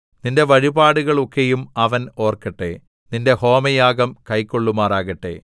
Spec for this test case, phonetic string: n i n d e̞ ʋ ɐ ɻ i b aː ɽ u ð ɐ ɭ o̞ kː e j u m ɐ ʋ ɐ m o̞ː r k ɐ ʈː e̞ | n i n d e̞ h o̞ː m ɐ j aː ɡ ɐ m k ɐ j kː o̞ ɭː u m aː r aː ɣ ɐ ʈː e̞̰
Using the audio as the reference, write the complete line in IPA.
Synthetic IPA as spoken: n i n d e̞ ʋ ɐ ɻ i b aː ɽ u ɣ ɐ ɭ o̞ kː e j u m ɐ ʋ ɐ n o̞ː r k ɐ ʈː e̞ | n i n d e̞ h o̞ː m ɐ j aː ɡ ɐ m k ɐ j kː o̞ ɭː u m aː r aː ɣ ɐ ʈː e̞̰